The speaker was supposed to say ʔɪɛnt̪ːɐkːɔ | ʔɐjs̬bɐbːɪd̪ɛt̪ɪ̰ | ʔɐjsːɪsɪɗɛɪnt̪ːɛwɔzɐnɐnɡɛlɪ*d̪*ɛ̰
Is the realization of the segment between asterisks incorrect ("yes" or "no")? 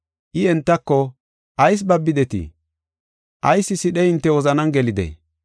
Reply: no